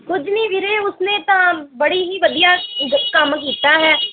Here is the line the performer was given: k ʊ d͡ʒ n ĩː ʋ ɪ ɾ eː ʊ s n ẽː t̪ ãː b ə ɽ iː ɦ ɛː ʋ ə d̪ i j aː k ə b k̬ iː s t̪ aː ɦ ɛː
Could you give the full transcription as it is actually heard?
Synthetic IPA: k ʊ d͡ʒ n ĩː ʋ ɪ ɾ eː ʊ s n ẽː t̪ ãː b ə ɽ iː ɦ iː ʋ ə d̪ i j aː k ə m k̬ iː t̪ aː ɦ ɛː

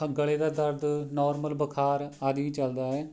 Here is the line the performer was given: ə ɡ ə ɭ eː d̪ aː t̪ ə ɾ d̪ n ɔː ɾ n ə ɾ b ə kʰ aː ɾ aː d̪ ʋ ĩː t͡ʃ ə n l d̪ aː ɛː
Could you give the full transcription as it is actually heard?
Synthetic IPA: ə ɡ ə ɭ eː d̪ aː d̪ ə ɾ d̪ n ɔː ɾ m ə l b ə kʰ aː ɾ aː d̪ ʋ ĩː t͡ʃ ə l d̪ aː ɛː

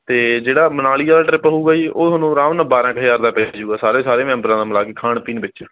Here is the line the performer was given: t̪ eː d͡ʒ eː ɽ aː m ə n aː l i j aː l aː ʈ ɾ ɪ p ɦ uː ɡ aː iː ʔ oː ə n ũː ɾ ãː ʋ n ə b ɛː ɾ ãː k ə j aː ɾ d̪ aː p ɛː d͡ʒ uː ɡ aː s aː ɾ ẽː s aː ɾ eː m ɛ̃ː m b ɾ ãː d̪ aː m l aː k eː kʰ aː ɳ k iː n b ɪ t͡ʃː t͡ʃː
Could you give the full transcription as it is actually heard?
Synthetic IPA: t̪ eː d͡ʒ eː ɽ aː m ə n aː l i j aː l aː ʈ ɾ ɪ p ɦ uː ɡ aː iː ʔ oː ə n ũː ɾ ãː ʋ n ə b aː ɾ ãː k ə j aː ɾ d̪ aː p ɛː d͡ʒ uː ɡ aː s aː ɾ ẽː s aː ɾ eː m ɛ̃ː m b ɾ ãː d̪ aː m l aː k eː kʰ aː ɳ p iː n b ɪ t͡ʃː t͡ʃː

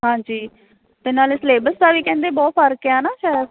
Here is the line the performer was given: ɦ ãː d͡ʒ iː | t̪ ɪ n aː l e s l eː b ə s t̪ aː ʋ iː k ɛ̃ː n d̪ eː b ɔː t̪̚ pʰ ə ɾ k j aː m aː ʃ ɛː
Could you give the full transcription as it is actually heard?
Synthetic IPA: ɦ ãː d͡ʒ iː | t̪ ɪ n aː l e s l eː b ə s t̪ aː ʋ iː k ɛ̃ː n d̪ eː b ɔː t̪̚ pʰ ə ɾ k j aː n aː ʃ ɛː

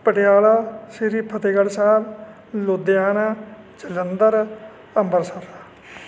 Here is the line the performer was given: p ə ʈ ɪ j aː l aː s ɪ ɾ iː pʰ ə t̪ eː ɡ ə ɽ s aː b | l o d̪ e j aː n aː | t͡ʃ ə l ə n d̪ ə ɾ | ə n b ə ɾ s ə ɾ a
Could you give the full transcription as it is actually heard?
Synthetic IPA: p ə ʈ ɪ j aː l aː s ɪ ɾ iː pʰ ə t̪ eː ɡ ə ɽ s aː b | l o d̪ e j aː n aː | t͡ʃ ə l ə n d̪ ə ɾ | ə m b ə ɾ s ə ɾ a

